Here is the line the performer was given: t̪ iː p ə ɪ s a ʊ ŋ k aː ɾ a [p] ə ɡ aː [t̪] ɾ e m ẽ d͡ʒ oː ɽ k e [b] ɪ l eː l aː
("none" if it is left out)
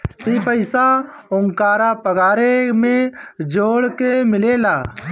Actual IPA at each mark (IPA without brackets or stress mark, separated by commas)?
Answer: p, none, m